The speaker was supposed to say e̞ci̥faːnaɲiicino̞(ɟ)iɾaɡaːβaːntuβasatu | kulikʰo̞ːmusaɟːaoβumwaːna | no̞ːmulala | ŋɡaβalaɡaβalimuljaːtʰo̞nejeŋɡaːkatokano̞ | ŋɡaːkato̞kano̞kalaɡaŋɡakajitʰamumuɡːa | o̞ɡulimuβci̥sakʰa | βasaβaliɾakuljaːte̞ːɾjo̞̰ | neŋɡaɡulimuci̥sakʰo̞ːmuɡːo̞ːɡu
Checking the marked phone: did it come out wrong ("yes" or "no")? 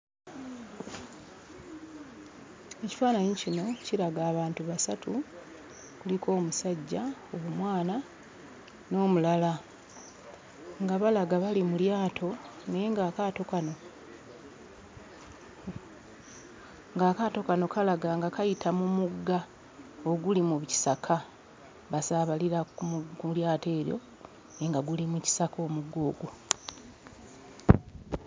yes